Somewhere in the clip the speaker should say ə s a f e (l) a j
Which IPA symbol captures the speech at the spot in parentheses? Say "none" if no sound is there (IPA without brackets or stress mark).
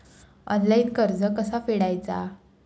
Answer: ɽ